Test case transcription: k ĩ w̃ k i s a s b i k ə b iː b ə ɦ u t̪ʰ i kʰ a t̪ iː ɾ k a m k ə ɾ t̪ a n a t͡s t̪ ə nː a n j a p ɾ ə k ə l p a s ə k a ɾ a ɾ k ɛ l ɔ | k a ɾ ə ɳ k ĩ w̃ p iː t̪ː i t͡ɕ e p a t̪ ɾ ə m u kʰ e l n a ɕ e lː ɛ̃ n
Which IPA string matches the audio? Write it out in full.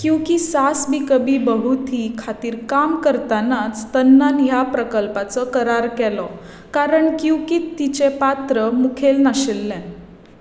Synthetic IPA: k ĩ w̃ k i s a s b i k ə b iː b ə ɦ u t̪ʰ i kʰ a t̪ iː ɾ k a m k ə ɾ t̪ a n a t͡s t̪ ə nː a n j a p ɾ ə k ə l p a t͡s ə k ə ɾ a ɾ k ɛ l ɔ | k a ɾ ə ɳ k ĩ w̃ k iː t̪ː i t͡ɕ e p a t̪ ɾ ə m u kʰ e l n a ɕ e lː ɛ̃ n